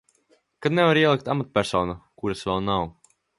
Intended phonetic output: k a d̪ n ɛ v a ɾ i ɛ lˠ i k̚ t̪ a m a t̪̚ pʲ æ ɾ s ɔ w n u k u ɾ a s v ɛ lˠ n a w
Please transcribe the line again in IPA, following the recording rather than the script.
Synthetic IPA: k a d̪ n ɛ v a ɾ i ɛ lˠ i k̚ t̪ a m a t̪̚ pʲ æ ɾ s ɔ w n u k u ɾ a s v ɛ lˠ n a w

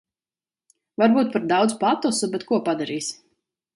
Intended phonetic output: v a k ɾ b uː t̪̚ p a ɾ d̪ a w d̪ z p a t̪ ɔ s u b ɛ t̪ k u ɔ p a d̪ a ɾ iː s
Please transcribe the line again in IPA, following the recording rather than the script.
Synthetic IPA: v a ɾ b uː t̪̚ p a ɾ d̪ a w d̪ z p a t̪ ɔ s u b ɛ t̪ k u ɔ p a d̪ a ɾ iː s

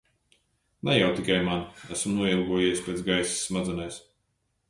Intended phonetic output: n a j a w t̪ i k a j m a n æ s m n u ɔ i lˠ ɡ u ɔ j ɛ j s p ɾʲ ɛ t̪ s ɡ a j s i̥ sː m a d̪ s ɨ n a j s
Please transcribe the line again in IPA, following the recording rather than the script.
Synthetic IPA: n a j a w t̪ i k a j m a n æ s m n u ɔ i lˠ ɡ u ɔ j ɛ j s p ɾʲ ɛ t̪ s ɡ a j s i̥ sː m a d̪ z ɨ n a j s

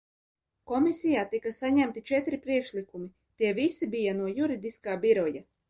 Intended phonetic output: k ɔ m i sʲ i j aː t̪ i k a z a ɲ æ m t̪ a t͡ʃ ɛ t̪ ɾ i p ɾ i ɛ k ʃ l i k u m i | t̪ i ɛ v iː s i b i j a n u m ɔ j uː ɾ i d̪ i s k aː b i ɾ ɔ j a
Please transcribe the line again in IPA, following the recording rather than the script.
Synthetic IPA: k ɔ m i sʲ i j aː t̪ i k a s a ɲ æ m t̪ i t͡ʃ ɛ t̪ ɾ i p ɾ i ɛ k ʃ l i k u m i | t̪ i ɛ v i s i b i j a n u ɔ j u ɾ i d̪ i s k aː b i ɾ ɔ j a

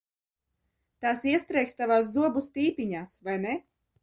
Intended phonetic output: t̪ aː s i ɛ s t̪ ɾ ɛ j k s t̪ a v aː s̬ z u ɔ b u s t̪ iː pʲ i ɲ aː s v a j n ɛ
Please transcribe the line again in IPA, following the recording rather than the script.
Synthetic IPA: t̪ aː s i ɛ s t̪ ɾ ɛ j k s t̪ a v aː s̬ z u ɔ b u s t̪ iː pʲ i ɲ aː s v a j n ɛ

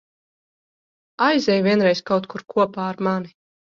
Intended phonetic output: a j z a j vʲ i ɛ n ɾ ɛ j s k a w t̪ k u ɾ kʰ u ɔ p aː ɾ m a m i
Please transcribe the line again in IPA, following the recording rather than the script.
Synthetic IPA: a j z ɛ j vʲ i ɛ n ɾ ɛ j s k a w t̪ k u ɾ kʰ u ɔ p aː ɾ m a n i

